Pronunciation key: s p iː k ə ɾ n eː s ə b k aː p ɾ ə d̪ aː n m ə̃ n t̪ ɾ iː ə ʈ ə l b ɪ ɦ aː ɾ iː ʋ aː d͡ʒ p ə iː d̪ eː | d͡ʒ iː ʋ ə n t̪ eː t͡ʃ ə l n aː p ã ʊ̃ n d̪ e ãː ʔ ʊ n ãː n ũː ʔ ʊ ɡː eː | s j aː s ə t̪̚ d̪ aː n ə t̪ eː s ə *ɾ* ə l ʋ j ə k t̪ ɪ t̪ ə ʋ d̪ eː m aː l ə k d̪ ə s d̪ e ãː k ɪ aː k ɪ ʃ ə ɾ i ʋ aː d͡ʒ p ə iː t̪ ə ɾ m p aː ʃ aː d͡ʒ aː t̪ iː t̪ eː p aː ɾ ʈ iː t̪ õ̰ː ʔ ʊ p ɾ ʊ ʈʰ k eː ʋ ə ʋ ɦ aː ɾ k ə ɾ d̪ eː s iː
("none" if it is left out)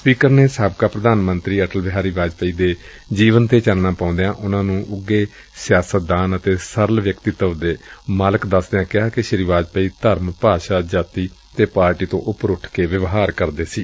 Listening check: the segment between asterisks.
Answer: ɾ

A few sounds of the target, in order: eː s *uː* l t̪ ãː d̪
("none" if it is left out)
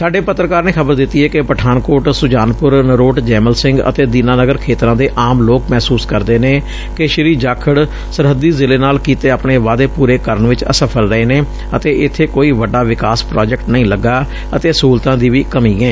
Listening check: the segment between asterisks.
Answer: uː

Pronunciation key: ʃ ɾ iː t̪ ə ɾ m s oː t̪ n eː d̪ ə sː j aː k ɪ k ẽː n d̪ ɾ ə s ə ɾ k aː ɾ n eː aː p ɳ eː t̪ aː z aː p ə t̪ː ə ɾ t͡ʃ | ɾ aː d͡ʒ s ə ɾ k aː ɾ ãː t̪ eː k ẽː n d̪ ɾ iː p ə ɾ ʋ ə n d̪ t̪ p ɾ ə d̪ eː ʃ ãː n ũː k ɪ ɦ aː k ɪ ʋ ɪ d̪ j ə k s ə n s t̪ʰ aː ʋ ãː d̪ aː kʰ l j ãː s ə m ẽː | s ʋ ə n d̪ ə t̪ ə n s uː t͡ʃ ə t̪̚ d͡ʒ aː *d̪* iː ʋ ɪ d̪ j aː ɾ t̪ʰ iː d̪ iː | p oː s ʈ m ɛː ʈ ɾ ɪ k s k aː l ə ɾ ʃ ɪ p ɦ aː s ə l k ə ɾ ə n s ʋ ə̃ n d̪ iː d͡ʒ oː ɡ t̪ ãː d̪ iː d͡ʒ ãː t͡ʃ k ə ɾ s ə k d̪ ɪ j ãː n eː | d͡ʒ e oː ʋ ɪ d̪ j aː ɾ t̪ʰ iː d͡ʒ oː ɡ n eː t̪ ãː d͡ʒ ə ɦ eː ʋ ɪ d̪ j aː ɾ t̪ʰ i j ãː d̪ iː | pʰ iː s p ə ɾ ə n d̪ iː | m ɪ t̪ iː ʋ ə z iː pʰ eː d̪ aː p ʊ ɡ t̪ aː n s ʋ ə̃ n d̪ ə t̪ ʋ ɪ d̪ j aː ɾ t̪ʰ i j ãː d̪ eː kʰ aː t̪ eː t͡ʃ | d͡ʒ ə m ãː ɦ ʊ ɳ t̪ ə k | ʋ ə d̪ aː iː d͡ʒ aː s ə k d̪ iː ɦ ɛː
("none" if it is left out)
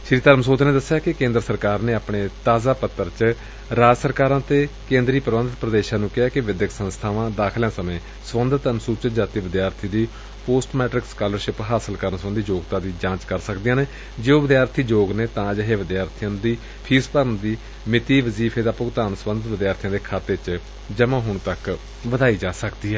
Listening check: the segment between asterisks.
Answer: t̪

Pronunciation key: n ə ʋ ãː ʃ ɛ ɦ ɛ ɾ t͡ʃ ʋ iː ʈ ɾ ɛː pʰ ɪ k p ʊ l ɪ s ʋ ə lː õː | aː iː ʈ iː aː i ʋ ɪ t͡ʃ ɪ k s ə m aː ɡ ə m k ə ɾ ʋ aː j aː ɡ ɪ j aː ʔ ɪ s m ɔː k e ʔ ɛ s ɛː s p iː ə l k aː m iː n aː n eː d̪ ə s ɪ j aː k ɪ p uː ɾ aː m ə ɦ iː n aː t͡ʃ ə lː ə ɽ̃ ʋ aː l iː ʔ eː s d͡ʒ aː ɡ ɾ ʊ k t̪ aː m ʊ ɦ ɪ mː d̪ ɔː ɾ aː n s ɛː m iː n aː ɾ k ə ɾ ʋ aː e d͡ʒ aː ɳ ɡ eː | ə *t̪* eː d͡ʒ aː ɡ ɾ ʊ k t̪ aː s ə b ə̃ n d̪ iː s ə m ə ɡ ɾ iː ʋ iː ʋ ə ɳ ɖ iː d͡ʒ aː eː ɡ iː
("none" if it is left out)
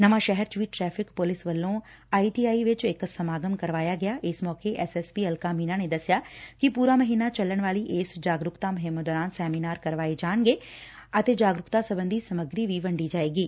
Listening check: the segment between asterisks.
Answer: t̪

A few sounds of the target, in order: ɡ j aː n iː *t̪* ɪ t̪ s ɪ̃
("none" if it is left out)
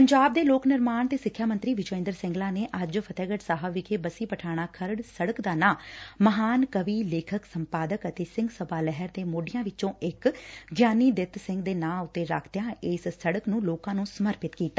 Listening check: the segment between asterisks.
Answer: d̪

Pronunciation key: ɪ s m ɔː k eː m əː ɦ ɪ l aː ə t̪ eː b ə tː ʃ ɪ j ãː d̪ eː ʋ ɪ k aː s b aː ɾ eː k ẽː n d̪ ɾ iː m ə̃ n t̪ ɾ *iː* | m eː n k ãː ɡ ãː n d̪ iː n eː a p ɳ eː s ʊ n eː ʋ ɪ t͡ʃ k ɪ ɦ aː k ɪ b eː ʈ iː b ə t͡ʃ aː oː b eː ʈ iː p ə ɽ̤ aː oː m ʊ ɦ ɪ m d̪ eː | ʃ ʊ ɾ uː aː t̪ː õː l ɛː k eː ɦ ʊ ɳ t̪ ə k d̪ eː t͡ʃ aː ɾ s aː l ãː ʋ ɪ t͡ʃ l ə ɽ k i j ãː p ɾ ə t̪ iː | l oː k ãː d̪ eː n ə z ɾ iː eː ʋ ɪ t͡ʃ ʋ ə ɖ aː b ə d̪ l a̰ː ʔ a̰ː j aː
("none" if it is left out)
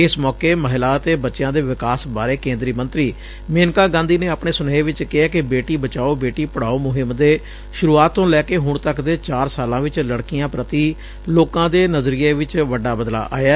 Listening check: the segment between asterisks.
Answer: iː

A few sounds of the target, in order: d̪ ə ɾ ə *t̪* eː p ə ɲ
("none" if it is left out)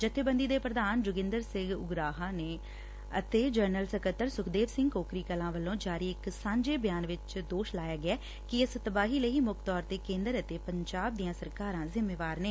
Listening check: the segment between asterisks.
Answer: t̪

